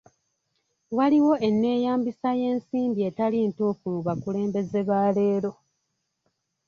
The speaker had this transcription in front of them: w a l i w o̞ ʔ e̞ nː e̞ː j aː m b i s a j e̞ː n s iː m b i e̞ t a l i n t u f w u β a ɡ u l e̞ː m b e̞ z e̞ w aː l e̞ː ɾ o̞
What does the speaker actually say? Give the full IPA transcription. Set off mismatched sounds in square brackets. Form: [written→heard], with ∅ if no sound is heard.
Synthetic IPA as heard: w a l i w o̞ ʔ e̞ nː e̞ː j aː m b i s a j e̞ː n s iː m b i e̞ t a l i n t u f [w→u] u β a [ɡ→k] u l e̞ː m b e̞ z e̞ [w→β] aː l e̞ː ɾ o̞